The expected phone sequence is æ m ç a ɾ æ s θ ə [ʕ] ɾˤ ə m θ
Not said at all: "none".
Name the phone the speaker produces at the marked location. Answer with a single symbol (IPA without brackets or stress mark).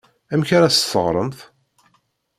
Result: ʁ